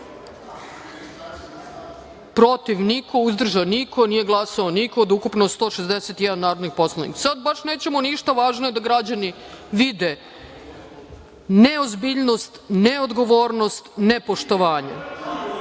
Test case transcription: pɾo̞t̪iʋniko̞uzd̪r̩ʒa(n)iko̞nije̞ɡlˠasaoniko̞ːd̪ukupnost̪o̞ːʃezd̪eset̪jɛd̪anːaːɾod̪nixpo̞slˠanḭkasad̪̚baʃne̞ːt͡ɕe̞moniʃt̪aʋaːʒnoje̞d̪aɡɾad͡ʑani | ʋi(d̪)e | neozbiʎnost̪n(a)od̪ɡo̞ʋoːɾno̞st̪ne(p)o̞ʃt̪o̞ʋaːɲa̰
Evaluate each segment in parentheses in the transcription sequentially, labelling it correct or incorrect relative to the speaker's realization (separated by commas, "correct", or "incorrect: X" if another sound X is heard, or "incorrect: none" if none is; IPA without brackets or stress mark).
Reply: correct, correct, incorrect: e, correct